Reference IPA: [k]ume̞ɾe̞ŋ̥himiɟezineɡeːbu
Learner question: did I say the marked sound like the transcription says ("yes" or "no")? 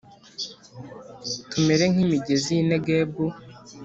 no